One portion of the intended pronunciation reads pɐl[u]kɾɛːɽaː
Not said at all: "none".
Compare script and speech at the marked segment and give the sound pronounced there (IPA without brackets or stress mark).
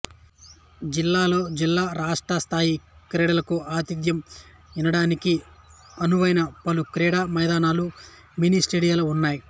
u